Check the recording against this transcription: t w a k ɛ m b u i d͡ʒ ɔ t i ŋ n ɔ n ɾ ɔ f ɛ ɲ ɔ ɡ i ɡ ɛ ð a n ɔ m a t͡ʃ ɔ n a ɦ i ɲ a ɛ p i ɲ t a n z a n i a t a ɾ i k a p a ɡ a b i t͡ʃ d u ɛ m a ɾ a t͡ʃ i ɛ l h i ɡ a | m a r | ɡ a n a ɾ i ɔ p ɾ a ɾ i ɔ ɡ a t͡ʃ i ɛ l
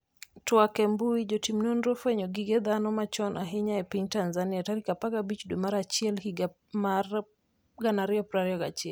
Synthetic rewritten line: t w a k ɛ m b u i d͡ʒ ɔ t i m n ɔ n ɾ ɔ f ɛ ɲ ɔ ɡ i ɡ ɛ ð a n ɔ m a t͡ʃ ɔ n a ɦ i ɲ a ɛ p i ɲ t a n z a n i a t a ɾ i k a p a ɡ a b i t͡ʃ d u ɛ m a ɾ a t͡ʃ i ɛ l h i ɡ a | m a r | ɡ a n a ɾ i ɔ p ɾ a ɾ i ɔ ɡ a t͡ʃ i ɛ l